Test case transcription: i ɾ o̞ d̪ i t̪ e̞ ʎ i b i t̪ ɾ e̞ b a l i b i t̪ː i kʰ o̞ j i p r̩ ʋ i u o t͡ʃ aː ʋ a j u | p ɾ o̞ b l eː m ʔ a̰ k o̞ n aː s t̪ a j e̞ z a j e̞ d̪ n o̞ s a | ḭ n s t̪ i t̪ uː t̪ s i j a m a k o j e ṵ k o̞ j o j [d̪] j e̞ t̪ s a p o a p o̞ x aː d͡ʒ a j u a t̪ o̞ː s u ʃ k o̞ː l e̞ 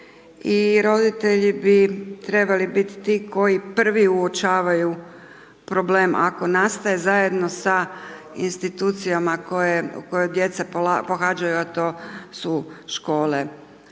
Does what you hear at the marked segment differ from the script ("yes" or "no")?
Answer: no